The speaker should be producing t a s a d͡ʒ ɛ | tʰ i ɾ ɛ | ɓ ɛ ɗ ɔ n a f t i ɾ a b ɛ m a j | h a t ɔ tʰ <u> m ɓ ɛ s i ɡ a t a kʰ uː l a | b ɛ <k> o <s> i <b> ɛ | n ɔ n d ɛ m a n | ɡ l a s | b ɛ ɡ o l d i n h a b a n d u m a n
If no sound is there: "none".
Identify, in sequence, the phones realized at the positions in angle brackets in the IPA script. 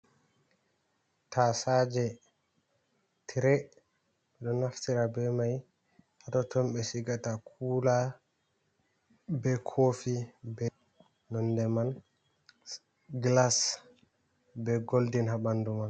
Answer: ɔ, kʰ, f, b

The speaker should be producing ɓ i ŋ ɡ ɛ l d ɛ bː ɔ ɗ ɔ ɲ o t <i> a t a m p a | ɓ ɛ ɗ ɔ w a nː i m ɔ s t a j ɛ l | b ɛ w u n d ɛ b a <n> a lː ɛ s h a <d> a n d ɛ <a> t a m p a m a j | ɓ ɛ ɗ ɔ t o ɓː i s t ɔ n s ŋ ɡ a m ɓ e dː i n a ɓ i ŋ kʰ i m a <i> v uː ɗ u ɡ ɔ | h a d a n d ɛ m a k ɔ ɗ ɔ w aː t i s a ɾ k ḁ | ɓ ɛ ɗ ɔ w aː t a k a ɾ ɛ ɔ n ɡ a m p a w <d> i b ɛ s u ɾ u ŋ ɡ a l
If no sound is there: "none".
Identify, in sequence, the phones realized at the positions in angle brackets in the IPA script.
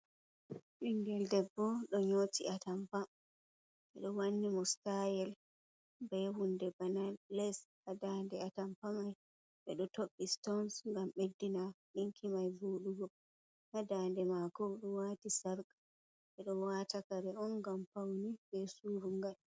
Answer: i, n, d, a, j, n

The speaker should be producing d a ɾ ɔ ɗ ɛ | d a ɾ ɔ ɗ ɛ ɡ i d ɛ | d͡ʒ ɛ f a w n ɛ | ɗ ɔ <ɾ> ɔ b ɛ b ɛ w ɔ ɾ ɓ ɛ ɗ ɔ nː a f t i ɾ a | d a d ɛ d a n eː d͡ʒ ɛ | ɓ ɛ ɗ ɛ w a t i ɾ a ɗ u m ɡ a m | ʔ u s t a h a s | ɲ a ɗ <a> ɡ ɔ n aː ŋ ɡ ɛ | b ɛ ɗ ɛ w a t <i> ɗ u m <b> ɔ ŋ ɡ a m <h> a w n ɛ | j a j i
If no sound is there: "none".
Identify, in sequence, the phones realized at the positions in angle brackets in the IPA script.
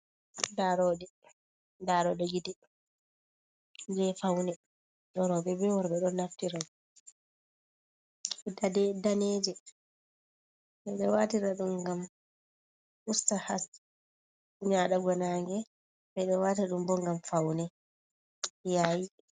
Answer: ɾ, a, a, b, f

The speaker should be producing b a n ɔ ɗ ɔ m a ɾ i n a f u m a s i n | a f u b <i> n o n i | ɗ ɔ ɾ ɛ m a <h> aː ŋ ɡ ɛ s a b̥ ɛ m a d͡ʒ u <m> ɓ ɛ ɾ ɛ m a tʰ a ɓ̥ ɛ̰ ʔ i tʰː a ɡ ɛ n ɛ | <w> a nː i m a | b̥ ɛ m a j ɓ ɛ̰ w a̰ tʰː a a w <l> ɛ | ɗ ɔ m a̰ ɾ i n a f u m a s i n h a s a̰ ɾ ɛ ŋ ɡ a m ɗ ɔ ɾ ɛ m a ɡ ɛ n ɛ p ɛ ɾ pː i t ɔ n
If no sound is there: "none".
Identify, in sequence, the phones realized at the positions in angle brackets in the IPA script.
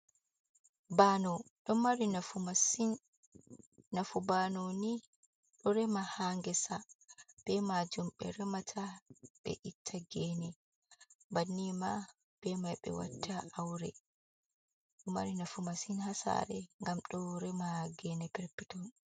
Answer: a, h, m, b, ɾ

